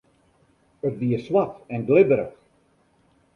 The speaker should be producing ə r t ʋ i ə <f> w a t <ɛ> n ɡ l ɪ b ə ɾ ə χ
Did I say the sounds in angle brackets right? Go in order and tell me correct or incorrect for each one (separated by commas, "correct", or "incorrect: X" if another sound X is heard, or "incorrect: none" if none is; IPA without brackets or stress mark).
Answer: incorrect: s, correct